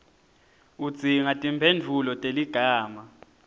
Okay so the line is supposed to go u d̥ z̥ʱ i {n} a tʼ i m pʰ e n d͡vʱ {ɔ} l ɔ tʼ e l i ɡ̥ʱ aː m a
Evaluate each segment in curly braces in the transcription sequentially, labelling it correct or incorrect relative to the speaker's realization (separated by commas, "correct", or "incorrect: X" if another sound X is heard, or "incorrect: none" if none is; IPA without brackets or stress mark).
incorrect: ŋ, incorrect: u